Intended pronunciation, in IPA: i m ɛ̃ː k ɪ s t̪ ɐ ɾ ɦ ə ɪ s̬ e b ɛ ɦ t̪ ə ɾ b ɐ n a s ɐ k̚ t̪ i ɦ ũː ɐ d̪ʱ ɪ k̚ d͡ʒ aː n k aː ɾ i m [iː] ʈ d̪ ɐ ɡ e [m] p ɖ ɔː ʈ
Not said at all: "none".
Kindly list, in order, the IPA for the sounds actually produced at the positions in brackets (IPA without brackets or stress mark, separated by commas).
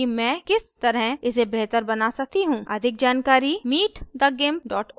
iː, m